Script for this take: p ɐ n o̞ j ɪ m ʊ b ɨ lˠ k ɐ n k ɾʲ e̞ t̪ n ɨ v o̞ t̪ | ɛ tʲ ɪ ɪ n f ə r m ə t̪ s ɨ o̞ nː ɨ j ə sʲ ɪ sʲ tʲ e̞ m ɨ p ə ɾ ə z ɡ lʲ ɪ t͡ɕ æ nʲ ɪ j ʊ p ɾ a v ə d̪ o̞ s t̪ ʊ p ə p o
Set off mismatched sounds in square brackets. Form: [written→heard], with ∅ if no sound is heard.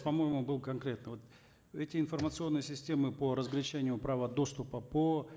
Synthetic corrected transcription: p ɐ [n→m] o̞ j ɪ m ʊ b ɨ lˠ k ɐ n k ɾʲ e̞ t̪ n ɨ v o̞ t̪ | ɛ tʲ ɪ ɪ n f ə r m ə t̪ s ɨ o̞ nː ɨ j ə sʲ ɪ sʲ tʲ e̞ m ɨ p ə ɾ ə z ɡ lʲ ɪ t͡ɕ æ nʲ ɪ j ʊ p ɾ a v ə d̪ o̞ s t̪ ʊ p ə p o

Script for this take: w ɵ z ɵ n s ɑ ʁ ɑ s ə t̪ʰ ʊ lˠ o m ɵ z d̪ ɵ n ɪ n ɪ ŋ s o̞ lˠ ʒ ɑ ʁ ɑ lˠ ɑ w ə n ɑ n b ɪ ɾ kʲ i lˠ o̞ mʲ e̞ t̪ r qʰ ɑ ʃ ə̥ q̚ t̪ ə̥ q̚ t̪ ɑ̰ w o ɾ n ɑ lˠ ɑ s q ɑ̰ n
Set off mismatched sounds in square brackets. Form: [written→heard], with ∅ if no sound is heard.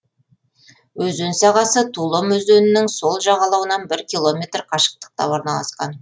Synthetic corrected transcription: w ɵ z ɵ n s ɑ ʁ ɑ s ə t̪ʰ [ʊ→u] lˠ o m ɵ z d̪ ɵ n ɪ n ɪ ŋ s o̞ lˠ ʒ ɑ ʁ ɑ lˠ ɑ w ə n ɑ n b ɪ ɾ kʲ i lˠ o̞ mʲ e̞ t̪ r qʰ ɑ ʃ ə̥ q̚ t̪ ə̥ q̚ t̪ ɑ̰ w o ɾ n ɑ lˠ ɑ s q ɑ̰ n

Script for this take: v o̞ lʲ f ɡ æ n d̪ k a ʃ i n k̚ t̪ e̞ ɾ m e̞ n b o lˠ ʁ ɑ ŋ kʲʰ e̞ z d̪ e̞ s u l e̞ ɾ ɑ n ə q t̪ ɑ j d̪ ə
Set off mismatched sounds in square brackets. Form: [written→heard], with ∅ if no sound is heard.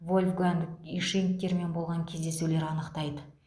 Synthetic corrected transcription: v o̞ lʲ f ɡ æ n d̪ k [a→i] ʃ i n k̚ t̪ e̞ ɾ m e̞ n b o lˠ ʁ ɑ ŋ kʲʰ e̞ z d̪ e̞ s u l e̞ ɾ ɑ n ə q t̪ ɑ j d̪ ə

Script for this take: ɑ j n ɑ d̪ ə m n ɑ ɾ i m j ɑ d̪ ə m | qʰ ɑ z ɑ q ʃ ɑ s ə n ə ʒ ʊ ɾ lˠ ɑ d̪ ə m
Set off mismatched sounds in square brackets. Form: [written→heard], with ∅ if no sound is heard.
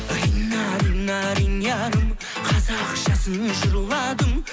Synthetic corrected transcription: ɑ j n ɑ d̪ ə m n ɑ ɾ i [m→n] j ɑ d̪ ə m | qʰ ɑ z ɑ q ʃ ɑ s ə n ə ʒ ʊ ɾ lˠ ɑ d̪ ə m

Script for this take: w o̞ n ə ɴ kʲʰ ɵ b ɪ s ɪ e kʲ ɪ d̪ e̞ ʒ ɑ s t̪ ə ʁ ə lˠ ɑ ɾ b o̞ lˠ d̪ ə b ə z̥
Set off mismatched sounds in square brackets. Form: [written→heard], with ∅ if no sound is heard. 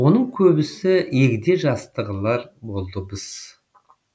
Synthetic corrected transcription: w o̞ n ə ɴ kʲʰ ɵ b ɪ s ɪ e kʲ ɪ d̪ e̞ ʒ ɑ s t̪ ə ʁ ə lˠ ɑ ɾ b o̞ lˠ d̪ ə b ə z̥

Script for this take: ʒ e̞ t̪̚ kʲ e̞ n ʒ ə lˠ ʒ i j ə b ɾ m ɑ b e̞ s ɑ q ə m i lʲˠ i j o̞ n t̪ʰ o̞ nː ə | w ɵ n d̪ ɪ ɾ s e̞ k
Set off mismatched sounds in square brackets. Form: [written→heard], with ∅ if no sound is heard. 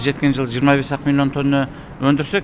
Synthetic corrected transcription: ʒ e̞ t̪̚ kʲ e̞ n ʒ ə lˠ ʒ i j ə [b→∅] ɾ m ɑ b e̞ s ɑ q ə m i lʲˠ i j o̞ n t̪ʰ o̞ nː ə | w ɵ n d̪ ɪ ɾ s e̞ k

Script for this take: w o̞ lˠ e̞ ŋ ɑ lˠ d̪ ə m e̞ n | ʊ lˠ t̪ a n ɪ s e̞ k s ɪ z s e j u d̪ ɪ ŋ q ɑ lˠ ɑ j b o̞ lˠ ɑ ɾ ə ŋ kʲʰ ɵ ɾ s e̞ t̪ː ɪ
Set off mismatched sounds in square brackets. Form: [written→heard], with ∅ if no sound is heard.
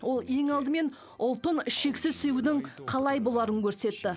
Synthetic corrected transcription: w o̞ lˠ e̞ ŋ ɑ lˠ d̪ ə m e̞ n | ʊ lˠ t̪ [a→ə] n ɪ [s→ʃ] e̞ k s ɪ z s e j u d̪ ɪ ŋ [q→qʰ] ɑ lˠ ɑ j b o̞ lˠ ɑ ɾ ə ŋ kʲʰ ɵ ɾ s e̞ t̪ː ɪ

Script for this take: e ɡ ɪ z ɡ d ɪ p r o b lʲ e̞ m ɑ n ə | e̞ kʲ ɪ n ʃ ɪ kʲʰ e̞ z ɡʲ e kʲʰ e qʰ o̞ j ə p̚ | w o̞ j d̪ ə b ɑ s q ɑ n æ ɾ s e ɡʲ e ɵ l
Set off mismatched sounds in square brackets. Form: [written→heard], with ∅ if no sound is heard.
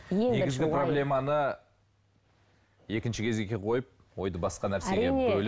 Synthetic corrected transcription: e ɡ ɪ z ɡ [d→ɡ] ɪ p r o b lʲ e̞ m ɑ n ə | e̞ kʲ ɪ n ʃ ɪ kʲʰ e̞ z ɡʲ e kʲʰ e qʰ o̞ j ə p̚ | w o̞ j d̪ ə b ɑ s q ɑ n æ ɾ s e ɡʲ e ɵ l

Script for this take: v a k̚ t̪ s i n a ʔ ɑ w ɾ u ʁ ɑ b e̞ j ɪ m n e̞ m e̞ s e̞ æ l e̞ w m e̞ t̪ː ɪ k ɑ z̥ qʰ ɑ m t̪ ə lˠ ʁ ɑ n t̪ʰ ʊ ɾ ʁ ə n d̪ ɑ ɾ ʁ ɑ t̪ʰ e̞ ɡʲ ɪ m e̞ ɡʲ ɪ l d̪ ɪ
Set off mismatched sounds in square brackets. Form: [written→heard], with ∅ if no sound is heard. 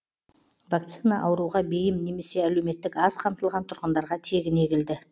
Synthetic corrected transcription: v a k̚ t̪ s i n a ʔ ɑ w ɾ u ʁ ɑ b e̞ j ɪ m n e̞ m e̞ s e̞ æ l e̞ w m e̞ t̪ː ɪ k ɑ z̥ qʰ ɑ m t̪ ə lˠ ʁ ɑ n t̪ʰ ʊ ɾ ʁ ə n d̪ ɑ ɾ ʁ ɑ t̪ʰ e̞ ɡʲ ɪ [m→n] e̞ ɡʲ ɪ l d̪ ɪ

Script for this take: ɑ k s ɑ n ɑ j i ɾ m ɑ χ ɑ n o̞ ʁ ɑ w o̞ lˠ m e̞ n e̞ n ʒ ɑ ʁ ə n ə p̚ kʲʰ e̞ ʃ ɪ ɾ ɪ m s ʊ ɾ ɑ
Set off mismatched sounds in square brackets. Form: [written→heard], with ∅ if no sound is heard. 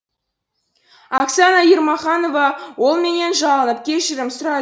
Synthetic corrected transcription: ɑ k s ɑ n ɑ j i ɾ m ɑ χ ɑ n o̞ [ʁ→v] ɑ w o̞ lˠ m e̞ n e̞ n ʒ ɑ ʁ ə n ə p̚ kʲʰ e̞ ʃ ɪ ɾ ɪ m s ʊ ɾ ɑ

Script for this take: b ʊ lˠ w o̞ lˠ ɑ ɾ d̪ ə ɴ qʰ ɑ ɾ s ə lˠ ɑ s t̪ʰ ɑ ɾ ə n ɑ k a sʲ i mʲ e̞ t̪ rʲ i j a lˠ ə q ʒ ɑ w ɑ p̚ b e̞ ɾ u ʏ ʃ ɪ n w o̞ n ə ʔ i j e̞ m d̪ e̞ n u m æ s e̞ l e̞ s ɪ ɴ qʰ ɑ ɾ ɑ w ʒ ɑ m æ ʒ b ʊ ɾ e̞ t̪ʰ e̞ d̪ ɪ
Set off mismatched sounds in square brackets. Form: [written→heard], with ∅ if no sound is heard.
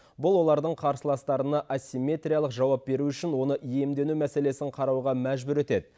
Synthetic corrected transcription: b ʊ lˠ w o̞ lˠ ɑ ɾ d̪ ə ɴ qʰ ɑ ɾ s ə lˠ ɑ s [t̪ʰ→t̪] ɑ ɾ ə n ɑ [k→ʔ] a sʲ i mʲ e̞ t̪ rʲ i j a lˠ ə q ʒ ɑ w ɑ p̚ b e̞ ɾ u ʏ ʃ ɪ n w o̞ n ə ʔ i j e̞ m d̪ e̞ n u m æ s e̞ l e̞ s ɪ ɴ qʰ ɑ ɾ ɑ w [ʒ→ʁ] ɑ m æ ʒ b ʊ ɾ e̞ [t̪ʰ→t̪] e̞ d̪ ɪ

